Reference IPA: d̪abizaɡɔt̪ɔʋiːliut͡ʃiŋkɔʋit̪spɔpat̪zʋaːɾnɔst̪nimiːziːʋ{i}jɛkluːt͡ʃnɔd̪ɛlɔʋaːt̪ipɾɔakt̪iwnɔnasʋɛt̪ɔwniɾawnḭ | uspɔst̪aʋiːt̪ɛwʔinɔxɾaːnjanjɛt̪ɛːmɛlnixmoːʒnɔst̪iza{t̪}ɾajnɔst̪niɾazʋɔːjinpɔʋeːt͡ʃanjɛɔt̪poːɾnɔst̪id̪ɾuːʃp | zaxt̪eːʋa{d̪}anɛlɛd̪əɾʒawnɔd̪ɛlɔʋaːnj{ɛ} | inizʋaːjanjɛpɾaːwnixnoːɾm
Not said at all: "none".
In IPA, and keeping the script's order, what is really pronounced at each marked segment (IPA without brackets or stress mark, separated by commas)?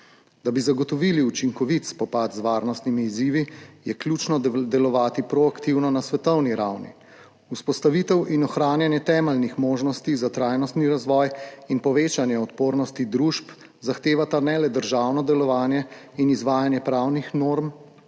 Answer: i, t̪, t̪, ɛ